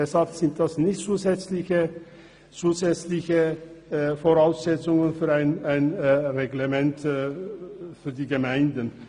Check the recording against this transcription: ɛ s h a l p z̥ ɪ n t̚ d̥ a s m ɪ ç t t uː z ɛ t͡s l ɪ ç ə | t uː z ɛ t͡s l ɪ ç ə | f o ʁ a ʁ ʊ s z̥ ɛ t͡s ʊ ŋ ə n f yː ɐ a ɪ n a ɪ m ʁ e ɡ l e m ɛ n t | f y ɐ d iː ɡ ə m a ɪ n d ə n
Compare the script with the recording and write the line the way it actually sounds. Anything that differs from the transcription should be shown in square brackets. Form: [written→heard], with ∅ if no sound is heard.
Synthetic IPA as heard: ɛ s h a l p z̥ ɪ n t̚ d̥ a s [m→n] ɪ ç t [t→t͡s] uː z ɛ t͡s l ɪ ç ə | [t→t͡s] uː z ɛ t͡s l ɪ ç ə | f o ʁ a [ʁ→∅] ʊ s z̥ ɛ t͡s ʊ ŋ ə n f yː ɐ a ɪ n a ɪ [m→n] ʁ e ɡ l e m ɛ n t | f [y→yː] ɐ d iː ɡ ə m a ɪ n d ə n